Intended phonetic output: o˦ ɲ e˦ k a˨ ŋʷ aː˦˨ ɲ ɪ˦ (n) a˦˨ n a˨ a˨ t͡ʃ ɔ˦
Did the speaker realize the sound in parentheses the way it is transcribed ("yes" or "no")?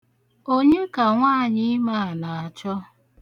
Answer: no